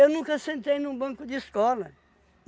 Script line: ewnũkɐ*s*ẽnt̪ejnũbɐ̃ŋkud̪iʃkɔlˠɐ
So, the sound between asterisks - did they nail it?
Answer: yes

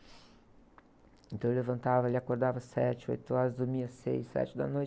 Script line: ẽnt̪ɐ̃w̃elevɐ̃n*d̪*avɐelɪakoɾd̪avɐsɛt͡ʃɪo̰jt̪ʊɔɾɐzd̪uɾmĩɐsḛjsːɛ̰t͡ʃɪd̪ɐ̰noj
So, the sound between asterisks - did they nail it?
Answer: no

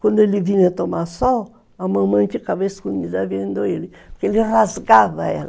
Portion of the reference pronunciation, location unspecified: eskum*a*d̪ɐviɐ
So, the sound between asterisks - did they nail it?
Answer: no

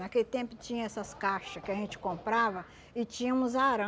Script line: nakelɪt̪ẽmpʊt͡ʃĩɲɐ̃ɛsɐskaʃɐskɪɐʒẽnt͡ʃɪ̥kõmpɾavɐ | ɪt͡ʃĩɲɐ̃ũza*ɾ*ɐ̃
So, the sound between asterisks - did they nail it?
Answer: yes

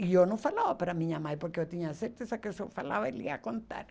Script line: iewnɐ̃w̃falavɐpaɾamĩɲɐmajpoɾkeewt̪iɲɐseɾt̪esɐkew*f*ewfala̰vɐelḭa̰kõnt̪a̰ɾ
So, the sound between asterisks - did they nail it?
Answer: no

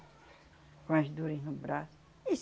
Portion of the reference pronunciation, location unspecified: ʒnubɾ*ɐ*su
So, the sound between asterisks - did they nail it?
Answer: no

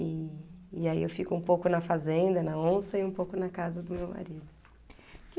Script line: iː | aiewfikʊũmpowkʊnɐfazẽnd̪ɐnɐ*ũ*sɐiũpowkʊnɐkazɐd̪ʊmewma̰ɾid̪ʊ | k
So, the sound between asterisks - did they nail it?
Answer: no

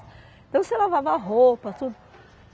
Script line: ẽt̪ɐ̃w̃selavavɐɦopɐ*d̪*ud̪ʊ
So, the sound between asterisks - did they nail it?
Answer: no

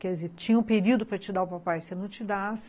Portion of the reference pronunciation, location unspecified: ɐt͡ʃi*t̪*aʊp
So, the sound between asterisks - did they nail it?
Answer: no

